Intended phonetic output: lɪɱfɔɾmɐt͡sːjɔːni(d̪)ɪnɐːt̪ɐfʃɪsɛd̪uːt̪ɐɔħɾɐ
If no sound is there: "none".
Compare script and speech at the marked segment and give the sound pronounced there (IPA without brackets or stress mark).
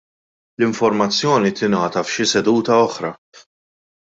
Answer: t̪